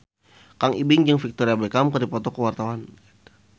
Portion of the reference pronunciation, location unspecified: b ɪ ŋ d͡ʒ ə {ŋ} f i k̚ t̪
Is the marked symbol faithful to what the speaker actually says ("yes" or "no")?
yes